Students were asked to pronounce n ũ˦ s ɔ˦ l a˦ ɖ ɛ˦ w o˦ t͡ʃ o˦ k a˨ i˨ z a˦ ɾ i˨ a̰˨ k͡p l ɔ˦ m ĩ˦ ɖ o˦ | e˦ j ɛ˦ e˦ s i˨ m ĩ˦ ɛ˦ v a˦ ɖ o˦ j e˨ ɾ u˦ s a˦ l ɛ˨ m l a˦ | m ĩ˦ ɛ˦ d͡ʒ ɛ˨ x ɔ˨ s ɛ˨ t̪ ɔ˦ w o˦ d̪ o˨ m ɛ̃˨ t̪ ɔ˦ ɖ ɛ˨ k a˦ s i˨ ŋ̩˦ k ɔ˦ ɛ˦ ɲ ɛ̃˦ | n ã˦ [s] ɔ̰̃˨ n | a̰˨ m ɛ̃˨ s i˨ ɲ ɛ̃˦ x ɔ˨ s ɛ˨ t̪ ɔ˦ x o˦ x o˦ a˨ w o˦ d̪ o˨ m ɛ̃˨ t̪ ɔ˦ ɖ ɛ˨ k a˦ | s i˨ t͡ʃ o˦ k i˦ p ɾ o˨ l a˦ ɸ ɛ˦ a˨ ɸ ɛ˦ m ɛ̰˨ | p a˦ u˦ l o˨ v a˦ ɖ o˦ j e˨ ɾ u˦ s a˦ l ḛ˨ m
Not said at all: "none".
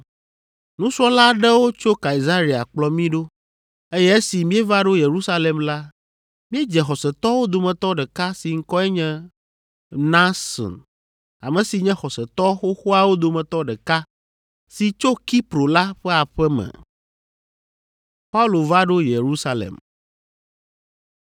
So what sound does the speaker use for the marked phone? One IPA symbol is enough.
s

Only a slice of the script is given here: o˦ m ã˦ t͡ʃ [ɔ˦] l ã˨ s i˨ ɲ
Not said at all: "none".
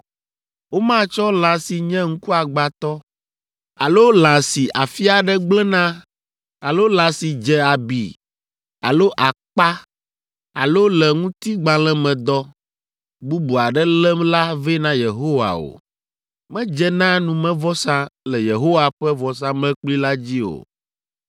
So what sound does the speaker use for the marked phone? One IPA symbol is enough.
ɔ˦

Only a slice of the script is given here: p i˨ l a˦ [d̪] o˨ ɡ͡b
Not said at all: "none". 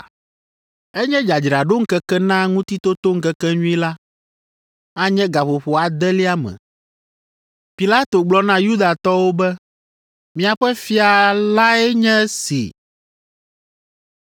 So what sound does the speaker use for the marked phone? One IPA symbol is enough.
t̪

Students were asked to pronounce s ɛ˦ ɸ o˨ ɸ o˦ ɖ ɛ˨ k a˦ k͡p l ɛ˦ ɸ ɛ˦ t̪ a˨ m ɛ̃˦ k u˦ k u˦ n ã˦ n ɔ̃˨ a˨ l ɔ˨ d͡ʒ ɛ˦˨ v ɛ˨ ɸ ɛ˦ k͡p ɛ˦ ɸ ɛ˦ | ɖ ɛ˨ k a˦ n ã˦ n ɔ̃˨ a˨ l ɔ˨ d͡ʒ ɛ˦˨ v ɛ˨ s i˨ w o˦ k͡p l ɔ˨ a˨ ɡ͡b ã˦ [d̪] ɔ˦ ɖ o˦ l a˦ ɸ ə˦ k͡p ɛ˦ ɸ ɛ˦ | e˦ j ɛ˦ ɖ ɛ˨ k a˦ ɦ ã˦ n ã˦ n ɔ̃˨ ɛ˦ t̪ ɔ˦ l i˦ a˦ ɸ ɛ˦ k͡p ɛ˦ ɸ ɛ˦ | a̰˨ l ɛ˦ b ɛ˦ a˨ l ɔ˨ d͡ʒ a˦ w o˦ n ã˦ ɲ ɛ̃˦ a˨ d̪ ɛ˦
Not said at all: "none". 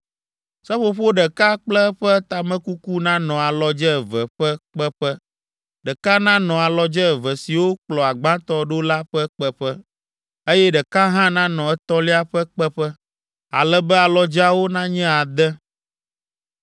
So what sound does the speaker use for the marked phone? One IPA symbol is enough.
t̪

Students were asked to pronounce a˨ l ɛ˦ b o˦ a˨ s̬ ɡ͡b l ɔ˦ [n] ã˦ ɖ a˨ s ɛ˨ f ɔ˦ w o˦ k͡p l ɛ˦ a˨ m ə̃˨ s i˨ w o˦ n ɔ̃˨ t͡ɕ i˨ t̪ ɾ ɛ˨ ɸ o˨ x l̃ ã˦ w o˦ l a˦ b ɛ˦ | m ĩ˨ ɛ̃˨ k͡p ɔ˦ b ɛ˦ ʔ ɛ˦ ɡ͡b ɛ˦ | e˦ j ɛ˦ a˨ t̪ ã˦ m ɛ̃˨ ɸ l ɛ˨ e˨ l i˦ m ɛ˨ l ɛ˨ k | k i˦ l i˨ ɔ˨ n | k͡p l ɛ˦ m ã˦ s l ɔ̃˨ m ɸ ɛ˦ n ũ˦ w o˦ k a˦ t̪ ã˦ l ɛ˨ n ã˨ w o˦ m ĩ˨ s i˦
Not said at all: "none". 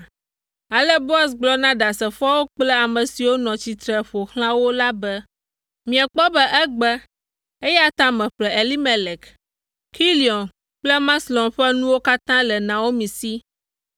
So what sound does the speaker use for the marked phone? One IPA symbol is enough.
n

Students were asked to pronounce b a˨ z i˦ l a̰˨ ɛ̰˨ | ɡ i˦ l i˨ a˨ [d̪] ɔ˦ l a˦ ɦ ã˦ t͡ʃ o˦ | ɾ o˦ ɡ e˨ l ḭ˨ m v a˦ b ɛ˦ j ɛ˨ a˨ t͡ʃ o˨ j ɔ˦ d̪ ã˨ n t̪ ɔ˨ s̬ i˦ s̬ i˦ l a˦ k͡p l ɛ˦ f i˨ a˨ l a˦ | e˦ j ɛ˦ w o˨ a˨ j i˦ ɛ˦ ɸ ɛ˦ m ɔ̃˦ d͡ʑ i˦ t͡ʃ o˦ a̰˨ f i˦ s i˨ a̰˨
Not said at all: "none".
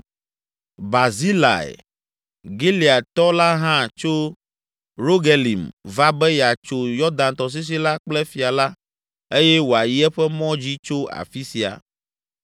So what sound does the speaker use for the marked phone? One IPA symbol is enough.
t̪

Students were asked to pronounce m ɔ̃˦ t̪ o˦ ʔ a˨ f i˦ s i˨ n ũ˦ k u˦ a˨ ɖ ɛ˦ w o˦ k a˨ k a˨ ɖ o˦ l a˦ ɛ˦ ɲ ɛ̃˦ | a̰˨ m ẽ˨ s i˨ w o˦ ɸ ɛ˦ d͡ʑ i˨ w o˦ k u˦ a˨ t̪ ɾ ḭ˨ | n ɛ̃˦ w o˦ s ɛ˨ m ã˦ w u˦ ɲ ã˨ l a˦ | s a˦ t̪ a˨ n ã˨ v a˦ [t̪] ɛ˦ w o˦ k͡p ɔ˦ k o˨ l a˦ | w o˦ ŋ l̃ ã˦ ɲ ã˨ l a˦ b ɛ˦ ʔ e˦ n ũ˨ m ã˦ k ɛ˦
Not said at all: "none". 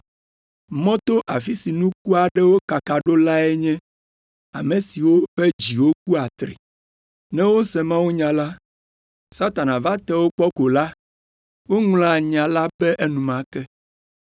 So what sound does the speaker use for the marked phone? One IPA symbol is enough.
t̪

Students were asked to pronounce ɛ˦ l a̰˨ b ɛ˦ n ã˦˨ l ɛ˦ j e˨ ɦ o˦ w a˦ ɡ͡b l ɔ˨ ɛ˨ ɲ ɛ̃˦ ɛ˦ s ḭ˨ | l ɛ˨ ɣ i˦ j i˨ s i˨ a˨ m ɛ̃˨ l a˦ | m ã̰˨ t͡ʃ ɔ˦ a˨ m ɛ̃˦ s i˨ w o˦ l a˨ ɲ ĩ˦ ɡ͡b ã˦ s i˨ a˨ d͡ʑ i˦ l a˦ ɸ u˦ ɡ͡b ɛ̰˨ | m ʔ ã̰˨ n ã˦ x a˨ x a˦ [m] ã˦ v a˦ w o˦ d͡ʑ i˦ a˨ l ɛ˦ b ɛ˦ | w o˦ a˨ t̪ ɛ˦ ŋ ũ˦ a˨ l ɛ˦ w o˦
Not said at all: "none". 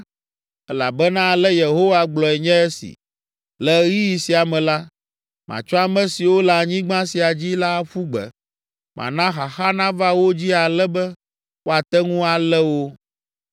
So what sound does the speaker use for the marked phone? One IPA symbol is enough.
n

